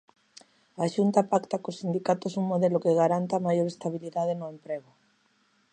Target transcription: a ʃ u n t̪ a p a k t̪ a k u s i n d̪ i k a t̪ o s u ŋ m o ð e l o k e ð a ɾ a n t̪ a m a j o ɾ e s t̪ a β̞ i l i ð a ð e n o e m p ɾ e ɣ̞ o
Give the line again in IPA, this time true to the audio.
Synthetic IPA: a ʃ u n t̪ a p a k t̪ a k o s i n d̪ i k a t̪ o s u ŋ m o ð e l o k e ɣ a ɾ a n t̪ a m a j o ɾ e s t̪ a β̞ i l i ð a ð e n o e m p ɾ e ɣ̞ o